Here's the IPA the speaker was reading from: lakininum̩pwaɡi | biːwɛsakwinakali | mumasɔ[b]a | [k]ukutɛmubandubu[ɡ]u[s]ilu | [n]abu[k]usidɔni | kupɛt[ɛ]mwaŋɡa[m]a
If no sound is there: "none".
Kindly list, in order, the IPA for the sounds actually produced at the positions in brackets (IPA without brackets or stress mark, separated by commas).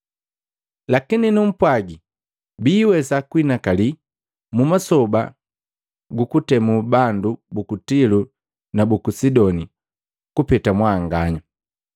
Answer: b, ɡ, k, t, n, k, a, ɲ